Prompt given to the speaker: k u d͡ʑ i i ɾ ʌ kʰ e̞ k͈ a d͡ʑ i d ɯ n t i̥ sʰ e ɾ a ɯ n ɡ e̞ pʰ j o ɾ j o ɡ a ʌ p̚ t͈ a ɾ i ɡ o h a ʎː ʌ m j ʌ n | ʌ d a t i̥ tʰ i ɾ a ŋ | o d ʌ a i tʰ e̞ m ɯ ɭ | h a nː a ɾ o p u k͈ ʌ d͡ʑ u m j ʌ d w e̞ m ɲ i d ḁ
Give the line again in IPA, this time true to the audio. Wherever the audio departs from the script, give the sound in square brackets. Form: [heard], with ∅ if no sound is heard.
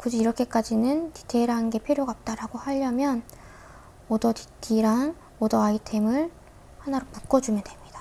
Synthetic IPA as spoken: k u d͡ʑ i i ɾ ʌ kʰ e̞ k͈ a d͡ʑ i [n] ɯ n t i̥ [tʰ] e ɾ a ɯ n ɡ e̞ pʰ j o ɾ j o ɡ a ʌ p̚ t͈ a ɾ [a] ɡ o h a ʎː ʌ m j ʌ n | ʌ d [ʌ] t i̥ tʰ i ɾ a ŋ | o d ʌ a i tʰ e̞ m ɯ ɭ | h a [n] a ɾ o p u k͈ ʌ d͡ʑ u m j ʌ d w e̞ m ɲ i d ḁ